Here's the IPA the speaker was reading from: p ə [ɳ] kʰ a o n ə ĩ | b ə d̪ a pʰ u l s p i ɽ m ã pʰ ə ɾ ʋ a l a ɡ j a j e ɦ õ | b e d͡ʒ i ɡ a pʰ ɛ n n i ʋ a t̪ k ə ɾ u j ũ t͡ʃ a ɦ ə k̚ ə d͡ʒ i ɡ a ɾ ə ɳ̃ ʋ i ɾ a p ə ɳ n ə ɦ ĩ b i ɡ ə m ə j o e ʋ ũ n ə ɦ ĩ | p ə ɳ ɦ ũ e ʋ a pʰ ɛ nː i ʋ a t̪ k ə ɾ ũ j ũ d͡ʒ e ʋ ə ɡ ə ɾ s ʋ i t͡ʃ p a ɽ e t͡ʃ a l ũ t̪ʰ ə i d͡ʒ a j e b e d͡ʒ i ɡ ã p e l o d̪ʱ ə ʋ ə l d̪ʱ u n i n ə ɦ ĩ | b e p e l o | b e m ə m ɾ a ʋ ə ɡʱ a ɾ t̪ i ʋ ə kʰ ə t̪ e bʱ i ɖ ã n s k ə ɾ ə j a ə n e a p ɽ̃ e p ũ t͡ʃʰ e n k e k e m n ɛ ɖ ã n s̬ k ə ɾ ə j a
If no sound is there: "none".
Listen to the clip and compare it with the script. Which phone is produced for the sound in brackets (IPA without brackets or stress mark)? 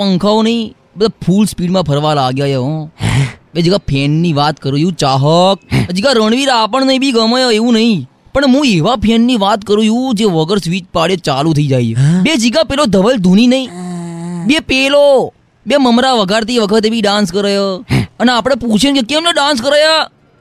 ŋ